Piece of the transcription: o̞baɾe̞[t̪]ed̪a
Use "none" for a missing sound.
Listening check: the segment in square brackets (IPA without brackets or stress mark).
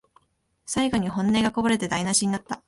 t̪